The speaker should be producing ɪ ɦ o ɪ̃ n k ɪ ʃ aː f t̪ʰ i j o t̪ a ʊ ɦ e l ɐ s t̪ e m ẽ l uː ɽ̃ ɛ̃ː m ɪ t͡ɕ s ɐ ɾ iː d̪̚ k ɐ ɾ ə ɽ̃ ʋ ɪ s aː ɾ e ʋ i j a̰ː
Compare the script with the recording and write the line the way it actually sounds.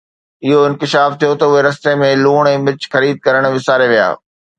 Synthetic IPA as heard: ɪ ɦ o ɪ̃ n k ɪ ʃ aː f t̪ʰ i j o t̪ ɐ ʊ ɦ e ɾ ɐ s t̪ e m ẽ l uː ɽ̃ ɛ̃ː m ɪ t͡ɕ x ɐ ɾ iː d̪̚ k ɐ ɾ ə ɽ̃ ʋ ɪ s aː ɾ e ʋ i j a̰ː